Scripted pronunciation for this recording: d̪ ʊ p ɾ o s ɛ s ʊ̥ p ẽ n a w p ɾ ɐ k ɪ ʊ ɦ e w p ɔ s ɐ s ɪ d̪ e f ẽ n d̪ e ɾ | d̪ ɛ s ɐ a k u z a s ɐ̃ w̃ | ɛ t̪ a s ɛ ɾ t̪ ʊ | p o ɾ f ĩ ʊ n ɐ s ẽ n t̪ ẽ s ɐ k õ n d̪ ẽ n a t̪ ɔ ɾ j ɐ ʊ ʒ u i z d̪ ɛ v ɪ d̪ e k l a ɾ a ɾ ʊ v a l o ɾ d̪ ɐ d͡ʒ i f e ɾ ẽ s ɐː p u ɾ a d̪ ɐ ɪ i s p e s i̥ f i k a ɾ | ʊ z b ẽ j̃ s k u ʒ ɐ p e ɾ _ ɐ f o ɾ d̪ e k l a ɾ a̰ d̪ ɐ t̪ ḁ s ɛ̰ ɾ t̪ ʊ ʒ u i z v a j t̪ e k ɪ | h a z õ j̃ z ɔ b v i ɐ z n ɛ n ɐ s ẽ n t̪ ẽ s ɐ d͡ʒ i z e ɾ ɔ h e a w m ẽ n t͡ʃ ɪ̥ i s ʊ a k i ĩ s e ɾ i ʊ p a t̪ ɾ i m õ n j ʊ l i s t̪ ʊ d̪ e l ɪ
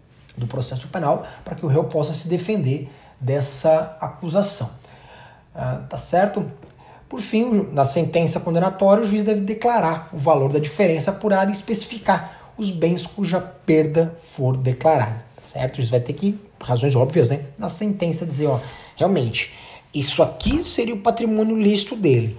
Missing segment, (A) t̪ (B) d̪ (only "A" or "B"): B